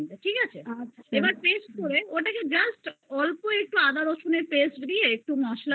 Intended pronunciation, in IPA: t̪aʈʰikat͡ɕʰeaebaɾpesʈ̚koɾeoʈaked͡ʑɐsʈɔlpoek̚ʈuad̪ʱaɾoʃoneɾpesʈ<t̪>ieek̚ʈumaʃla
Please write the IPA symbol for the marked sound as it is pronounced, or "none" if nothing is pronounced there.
d̪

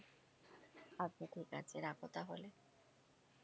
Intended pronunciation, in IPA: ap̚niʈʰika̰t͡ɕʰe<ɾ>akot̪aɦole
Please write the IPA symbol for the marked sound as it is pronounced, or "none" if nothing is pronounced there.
ɾ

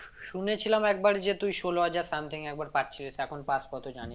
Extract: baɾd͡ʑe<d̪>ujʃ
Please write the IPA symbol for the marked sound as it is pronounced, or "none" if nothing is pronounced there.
t̪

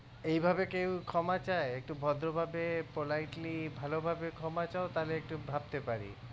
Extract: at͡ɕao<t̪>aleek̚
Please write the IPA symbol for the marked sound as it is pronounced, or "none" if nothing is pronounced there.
t̪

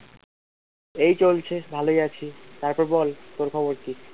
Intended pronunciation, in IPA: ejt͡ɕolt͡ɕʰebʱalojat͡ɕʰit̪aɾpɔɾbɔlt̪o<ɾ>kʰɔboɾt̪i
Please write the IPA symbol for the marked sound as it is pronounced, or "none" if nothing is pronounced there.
ɾ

